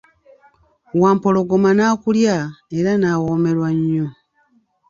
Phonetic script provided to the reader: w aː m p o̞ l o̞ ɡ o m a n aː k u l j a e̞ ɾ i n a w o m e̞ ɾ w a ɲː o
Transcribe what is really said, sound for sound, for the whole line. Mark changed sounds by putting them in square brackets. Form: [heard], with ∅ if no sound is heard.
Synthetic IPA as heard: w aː m p o̞ l o̞ ɡ o m a n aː k u l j a e̞ ɾ [a] n a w o m e̞ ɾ w a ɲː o